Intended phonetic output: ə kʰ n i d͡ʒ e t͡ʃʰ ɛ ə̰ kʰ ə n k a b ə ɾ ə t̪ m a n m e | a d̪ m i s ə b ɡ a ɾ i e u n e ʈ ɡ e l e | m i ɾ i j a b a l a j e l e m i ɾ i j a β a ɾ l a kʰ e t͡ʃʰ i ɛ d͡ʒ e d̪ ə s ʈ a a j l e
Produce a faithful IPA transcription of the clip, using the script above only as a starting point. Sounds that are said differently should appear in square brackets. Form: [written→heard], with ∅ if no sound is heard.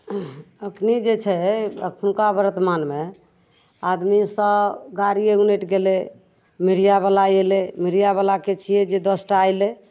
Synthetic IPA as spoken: ə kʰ n i d͡ʒ e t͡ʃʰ ɛ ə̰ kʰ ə n k a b ə ɾ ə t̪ m a n m e | a d̪ m i s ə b ɡ a ɾ i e u n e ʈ ɡ e l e | m i ɾ i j a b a l a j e l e m i ɾ i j a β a [ɾ→∅] l a [kʰ→k] e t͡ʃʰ i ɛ d͡ʒ e d̪ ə s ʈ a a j l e